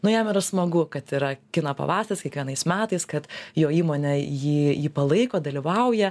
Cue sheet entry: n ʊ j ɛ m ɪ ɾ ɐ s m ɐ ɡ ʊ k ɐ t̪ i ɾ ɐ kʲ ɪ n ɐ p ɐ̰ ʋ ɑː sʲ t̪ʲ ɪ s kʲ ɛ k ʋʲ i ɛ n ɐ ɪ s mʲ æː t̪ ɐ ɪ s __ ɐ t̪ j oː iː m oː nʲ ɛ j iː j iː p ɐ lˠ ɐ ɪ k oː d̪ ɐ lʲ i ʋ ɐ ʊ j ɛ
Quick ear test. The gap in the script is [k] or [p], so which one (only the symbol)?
k